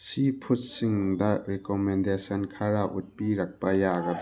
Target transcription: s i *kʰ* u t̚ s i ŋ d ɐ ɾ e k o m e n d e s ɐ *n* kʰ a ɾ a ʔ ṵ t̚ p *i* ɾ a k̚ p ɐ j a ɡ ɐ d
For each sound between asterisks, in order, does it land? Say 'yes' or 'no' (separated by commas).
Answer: no, yes, yes